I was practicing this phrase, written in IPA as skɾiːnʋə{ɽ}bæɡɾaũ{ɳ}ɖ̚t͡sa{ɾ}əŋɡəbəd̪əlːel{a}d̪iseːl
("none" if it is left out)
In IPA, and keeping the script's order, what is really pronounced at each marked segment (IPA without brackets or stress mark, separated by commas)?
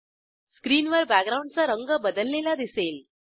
ɾ, ɳ, ɾ, a